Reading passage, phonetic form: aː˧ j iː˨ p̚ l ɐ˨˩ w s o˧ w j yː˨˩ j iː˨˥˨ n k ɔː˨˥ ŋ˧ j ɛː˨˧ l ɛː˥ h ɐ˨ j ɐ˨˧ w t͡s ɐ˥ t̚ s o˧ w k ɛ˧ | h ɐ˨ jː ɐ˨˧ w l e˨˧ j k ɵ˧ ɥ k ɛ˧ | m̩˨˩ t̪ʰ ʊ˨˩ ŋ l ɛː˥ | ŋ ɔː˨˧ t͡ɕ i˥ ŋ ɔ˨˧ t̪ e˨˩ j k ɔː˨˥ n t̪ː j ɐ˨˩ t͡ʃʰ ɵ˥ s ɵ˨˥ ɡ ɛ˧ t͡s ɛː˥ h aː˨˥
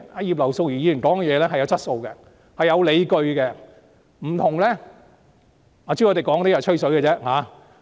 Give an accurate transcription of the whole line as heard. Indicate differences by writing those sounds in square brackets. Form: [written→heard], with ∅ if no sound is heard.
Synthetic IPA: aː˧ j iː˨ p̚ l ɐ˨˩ w s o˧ w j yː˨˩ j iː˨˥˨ n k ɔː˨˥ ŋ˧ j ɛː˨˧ l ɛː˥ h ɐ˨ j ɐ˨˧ w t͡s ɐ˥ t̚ s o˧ w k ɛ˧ | h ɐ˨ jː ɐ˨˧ w l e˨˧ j k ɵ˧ ɥ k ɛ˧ | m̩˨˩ t̪ʰ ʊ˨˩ ŋ l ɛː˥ | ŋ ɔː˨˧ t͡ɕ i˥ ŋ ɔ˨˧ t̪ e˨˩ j k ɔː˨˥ [n→ŋ] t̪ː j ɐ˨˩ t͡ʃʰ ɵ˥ s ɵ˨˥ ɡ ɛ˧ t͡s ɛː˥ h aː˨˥